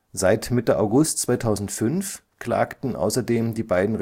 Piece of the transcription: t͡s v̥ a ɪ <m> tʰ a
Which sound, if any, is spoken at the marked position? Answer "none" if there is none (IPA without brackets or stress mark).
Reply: none